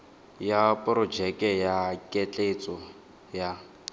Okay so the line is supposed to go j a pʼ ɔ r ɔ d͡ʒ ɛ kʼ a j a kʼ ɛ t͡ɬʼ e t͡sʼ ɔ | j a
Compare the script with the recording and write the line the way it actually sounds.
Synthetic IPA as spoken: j a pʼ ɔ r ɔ d͡ʒ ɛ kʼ ɛ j a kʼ ɛ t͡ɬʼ e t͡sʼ ɔ | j a